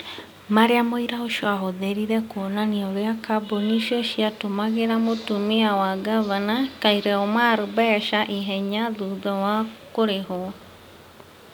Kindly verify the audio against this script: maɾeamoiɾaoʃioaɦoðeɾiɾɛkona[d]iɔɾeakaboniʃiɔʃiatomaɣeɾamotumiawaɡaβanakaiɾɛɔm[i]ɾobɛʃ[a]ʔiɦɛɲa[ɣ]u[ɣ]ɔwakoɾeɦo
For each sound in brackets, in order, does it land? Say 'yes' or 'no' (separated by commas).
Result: no, no, yes, no, no